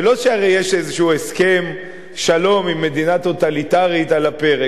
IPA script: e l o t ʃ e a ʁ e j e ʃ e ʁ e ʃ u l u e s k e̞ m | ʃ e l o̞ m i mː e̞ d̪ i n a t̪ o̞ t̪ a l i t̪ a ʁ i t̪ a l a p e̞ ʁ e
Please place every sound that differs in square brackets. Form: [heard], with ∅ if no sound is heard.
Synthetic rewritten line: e l o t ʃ e a ʁ e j e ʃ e [z] e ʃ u [∅] u e s k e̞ m | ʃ [a] l o̞ m i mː e̞ d̪ i n a t̪ o̞ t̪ a l i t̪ a ʁ i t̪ a l a p e̞ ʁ e